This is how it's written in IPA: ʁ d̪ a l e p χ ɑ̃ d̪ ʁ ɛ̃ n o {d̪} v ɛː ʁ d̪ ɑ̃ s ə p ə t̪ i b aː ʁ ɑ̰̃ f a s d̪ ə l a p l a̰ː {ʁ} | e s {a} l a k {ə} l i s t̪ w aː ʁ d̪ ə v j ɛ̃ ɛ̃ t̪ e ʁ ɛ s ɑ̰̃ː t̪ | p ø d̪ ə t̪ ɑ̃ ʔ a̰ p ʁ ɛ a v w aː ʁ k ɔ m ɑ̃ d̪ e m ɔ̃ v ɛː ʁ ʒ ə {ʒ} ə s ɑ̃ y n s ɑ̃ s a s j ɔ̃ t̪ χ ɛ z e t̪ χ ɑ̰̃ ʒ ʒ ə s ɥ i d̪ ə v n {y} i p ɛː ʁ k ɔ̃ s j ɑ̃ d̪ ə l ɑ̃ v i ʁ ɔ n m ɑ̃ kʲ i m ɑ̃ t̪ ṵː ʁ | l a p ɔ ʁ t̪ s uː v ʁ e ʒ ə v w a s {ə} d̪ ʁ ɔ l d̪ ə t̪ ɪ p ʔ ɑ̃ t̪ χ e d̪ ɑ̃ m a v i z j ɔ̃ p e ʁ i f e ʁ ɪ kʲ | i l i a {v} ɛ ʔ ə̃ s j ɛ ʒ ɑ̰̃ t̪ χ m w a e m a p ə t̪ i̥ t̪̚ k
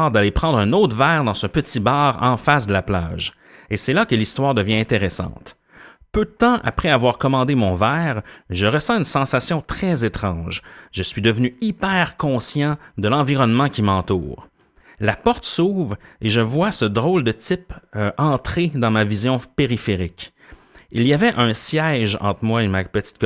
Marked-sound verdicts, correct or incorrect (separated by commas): incorrect, incorrect, incorrect, correct, incorrect, correct, correct, correct